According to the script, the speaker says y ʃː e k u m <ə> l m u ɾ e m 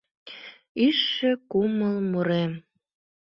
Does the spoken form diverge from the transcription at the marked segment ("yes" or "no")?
no